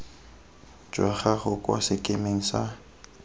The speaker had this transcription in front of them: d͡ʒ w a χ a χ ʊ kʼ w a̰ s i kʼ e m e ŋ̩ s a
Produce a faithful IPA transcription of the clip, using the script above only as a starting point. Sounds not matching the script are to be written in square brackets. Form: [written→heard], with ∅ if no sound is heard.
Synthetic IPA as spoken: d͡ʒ w a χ a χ ʊ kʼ w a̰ s [i→ɪ] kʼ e m e ŋ̩ s a